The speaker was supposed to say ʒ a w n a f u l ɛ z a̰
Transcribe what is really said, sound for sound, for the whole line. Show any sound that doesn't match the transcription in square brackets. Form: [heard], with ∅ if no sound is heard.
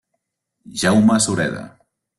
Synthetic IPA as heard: ʒ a w [m] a [s] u [ɾ] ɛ [ð] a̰

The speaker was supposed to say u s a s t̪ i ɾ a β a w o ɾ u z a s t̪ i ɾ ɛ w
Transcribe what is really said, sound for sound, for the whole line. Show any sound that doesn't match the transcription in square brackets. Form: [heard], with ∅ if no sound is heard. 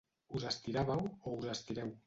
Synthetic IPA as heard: u [z] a s t̪ i ɾ a β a w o [∅] u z a s t̪ i ɾ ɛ w

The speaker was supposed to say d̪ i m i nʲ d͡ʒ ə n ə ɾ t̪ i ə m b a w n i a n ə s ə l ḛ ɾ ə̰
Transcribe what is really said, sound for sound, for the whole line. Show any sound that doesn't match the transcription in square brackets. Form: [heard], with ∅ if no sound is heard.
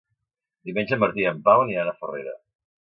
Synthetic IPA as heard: d̪ i m [e] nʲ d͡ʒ ə [m] ə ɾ t̪ i ə m [p] a w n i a n ə [f] ə [r] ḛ ɾ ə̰

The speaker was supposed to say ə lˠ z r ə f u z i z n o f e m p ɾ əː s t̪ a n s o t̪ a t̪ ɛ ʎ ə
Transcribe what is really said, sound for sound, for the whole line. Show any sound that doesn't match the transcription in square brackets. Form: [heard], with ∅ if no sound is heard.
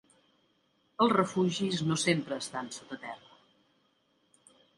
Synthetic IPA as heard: ə lˠ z r ə f u [ʒ] i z n o [s] e m p ɾ əː s t̪ a n s o t̪ [ə] t̪ ɛ [r] ə

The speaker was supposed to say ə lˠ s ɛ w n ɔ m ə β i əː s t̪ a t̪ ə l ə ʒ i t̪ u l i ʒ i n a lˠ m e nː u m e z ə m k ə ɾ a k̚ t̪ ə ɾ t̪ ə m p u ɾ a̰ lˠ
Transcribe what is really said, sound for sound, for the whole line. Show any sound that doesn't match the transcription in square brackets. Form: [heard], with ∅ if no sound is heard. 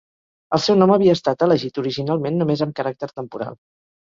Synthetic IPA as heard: ə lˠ s ɛ w n ɔ m ə β i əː s t̪ a t̪ ə l ə ʒ i t̪ u [ɾ] i ʒ i n a lˠ m e nː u m e z ə m k ə ɾ a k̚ t̪ ə ɾ t̪ ə m p u ɾ a̰ lˠ

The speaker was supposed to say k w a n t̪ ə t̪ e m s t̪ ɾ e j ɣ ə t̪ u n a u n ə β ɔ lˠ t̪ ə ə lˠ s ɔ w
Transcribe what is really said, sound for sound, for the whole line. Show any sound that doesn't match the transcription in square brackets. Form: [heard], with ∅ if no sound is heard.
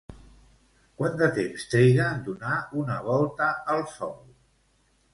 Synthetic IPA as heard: k w a n [d̪] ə t̪ e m s t̪ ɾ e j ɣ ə [d̪] u n a u n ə β ɔ lˠ t̪ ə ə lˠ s ɔ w

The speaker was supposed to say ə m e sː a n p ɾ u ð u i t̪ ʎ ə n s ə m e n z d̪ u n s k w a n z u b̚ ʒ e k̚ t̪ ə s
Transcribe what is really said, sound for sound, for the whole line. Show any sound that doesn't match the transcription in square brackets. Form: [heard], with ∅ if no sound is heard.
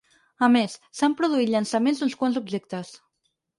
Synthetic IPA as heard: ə m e sː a [m] p ɾ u ð u i t̪ ʎ ə n s ə m e n z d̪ u n s k w a n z u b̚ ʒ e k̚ t̪ ə s

